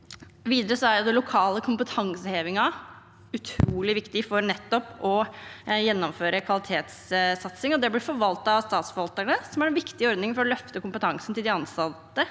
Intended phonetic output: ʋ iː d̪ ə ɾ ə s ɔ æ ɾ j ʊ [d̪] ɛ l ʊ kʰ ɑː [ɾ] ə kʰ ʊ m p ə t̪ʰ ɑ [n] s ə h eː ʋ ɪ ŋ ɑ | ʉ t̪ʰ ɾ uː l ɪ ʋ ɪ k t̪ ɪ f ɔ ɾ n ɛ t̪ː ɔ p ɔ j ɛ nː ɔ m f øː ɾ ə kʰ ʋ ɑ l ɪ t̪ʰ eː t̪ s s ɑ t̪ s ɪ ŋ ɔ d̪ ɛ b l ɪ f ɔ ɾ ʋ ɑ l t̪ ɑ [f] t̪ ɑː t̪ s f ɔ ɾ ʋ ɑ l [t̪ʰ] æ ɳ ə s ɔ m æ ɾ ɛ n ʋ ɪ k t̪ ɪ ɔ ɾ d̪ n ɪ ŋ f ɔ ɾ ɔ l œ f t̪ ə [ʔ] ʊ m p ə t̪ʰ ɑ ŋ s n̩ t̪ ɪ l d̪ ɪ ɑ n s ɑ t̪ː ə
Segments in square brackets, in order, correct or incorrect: correct, incorrect: l, incorrect: ŋ, incorrect: s, incorrect: t̪, incorrect: k

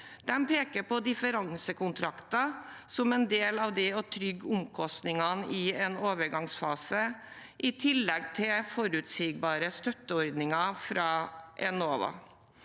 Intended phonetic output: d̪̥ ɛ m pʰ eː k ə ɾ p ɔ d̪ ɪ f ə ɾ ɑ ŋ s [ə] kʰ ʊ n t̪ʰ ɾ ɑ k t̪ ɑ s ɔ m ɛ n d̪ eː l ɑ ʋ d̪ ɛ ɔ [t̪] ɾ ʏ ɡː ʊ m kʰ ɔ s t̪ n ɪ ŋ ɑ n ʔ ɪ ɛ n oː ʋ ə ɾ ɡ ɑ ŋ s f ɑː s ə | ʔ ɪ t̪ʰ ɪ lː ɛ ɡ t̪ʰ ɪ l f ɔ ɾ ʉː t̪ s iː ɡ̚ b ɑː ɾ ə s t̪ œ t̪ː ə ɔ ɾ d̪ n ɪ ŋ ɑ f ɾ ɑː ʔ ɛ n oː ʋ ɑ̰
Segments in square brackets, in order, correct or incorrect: correct, incorrect: t̪ʰ

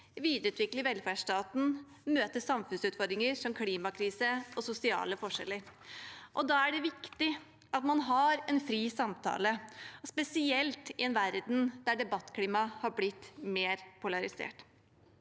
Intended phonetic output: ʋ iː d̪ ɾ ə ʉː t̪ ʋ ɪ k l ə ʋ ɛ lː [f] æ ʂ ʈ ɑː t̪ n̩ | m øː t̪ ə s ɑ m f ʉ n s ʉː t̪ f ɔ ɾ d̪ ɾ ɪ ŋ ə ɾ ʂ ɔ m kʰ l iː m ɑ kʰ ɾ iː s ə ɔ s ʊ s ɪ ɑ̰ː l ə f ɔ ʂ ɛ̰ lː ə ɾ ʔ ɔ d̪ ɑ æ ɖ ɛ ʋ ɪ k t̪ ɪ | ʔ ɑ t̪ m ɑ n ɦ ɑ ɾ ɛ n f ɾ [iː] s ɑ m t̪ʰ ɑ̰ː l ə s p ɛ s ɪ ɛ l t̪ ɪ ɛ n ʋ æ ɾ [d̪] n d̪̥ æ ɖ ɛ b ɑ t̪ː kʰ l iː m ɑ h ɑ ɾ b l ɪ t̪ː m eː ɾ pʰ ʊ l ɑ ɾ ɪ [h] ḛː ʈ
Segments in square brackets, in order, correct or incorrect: correct, correct, correct, incorrect: s

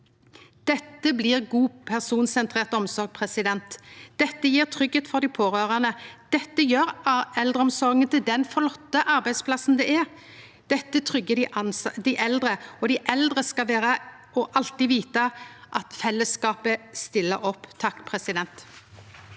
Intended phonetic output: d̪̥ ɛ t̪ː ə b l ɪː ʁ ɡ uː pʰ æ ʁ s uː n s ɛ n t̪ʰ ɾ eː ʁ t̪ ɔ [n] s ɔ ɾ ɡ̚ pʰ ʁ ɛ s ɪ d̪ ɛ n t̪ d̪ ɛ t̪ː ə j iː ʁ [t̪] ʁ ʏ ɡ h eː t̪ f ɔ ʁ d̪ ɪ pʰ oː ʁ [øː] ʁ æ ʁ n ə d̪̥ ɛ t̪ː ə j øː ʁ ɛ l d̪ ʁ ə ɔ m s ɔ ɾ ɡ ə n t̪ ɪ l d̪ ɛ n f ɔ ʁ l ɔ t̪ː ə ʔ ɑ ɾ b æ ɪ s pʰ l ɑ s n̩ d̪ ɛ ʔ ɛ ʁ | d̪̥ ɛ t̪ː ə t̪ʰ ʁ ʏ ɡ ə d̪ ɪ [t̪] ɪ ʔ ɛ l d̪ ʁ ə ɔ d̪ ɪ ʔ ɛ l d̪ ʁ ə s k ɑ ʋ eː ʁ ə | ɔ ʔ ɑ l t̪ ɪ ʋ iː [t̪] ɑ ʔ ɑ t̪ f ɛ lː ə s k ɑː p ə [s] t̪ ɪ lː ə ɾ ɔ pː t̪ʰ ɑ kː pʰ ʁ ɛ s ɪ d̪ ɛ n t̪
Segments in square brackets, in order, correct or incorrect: incorrect: m, incorrect: t̪ʰ, correct, incorrect: d̪, correct, correct

